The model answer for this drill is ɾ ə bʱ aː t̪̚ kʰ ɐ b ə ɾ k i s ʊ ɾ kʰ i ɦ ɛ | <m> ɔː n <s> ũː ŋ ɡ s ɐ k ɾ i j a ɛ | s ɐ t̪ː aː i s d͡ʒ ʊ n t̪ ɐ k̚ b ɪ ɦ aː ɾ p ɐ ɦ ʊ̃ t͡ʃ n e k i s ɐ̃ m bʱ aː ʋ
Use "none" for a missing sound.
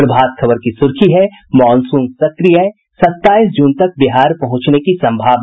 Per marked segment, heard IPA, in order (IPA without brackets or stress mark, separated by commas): m, s